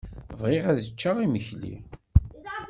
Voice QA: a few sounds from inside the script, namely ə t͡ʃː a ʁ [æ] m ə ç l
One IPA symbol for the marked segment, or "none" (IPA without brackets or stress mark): i